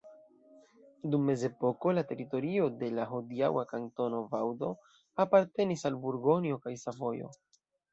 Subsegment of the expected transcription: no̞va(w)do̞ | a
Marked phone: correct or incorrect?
correct